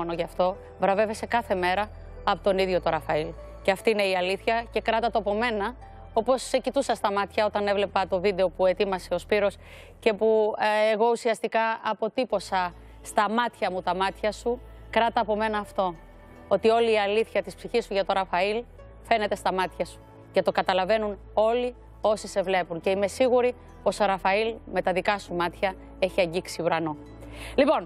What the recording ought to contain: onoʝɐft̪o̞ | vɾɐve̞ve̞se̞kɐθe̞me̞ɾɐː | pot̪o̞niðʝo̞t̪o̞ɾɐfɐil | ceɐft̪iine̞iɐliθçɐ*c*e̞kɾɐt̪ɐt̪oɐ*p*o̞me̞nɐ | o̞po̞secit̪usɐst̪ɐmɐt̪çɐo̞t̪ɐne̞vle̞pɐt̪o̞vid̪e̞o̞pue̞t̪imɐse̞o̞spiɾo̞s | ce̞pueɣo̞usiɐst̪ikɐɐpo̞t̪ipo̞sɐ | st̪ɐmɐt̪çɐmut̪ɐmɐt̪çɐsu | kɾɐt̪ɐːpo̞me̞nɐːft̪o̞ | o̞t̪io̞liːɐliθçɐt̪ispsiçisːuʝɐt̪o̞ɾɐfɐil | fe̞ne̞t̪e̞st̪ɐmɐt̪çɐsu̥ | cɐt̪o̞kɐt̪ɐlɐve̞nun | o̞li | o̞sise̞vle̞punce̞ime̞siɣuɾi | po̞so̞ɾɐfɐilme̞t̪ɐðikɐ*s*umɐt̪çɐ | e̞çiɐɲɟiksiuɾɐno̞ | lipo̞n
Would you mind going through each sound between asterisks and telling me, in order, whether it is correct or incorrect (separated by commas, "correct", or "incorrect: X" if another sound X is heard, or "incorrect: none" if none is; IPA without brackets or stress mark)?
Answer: correct, correct, correct